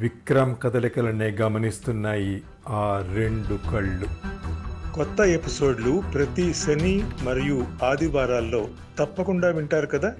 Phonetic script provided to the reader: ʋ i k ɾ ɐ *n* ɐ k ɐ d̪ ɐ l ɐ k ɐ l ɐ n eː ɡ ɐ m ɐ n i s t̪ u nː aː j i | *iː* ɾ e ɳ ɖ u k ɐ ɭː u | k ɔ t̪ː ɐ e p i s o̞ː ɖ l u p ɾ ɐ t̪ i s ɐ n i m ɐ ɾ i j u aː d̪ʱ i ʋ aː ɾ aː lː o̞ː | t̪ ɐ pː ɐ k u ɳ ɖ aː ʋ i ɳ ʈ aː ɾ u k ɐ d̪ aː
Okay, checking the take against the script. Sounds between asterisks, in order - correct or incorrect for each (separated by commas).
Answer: incorrect, incorrect